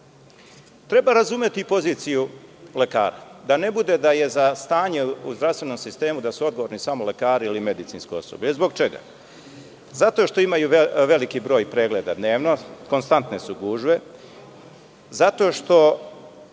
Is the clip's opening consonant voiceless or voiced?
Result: voiceless